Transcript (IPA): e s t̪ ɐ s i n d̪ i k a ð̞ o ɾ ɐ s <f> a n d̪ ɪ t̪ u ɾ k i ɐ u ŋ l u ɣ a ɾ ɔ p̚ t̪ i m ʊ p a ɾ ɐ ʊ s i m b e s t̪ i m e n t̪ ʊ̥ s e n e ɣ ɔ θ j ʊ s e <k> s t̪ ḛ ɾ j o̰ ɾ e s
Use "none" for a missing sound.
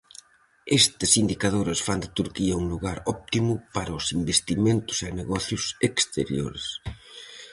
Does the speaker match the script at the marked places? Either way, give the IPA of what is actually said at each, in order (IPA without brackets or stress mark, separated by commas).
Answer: f, k